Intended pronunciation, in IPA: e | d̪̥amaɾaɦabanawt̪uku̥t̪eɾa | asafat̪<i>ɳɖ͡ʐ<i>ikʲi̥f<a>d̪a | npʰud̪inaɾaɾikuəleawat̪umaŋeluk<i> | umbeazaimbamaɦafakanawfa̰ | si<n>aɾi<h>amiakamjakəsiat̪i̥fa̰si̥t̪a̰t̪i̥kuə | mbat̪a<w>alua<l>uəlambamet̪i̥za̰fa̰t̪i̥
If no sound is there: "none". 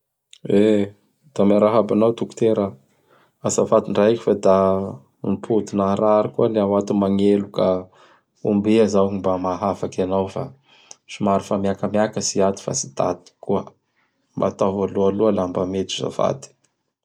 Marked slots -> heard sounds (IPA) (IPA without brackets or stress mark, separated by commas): i, a, a, a, m, f, v, l